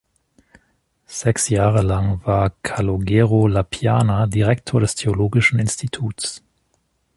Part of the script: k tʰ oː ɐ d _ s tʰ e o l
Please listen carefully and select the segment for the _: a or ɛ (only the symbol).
ɛ